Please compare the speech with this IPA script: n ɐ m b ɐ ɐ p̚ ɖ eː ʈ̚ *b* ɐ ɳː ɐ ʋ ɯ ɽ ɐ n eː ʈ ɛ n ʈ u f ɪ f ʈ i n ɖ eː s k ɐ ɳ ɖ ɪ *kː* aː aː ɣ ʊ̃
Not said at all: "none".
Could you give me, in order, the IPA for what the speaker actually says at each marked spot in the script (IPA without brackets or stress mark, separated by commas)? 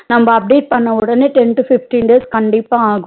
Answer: p, pː